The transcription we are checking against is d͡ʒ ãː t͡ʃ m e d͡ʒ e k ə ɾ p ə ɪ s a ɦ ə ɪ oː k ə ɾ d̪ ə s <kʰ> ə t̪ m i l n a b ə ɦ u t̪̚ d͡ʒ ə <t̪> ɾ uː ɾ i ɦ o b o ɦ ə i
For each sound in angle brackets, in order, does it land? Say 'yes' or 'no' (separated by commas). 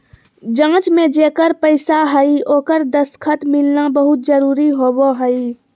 yes, no